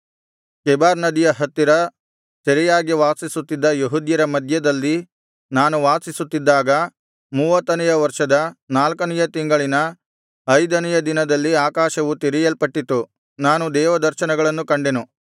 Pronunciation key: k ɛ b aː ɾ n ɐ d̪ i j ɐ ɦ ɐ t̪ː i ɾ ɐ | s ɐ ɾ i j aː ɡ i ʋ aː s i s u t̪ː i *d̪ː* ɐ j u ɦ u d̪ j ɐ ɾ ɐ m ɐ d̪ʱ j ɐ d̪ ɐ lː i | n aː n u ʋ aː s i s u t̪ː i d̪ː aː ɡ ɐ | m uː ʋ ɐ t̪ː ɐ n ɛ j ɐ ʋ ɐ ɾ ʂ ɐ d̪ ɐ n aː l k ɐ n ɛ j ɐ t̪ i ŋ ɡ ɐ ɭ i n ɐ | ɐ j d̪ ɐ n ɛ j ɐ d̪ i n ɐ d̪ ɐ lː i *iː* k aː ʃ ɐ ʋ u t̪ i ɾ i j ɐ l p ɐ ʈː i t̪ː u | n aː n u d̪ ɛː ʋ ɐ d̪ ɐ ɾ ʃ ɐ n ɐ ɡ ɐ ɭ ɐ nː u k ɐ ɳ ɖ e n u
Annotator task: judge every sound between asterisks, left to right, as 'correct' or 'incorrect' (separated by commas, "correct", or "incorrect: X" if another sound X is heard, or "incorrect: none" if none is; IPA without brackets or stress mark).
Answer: correct, incorrect: aː